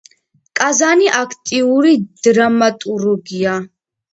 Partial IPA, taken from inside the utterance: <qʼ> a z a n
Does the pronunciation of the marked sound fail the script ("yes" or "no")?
yes